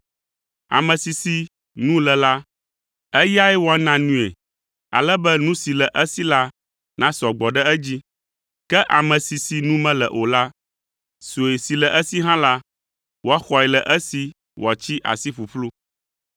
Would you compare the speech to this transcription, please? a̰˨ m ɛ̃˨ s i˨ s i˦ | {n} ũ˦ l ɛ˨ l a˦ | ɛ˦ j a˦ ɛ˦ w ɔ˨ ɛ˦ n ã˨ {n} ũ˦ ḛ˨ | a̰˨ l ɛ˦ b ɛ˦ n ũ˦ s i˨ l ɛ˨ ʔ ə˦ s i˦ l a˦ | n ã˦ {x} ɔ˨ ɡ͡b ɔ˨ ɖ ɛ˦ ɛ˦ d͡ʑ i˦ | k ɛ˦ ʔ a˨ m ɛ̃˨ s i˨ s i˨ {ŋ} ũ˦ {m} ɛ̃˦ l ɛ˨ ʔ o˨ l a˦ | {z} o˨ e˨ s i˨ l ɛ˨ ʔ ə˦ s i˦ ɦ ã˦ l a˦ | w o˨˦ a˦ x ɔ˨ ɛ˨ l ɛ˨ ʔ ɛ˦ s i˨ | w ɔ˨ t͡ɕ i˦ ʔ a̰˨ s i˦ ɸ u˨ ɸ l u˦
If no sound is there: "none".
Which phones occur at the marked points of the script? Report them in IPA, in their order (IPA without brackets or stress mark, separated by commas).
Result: n, n, s, n, m, s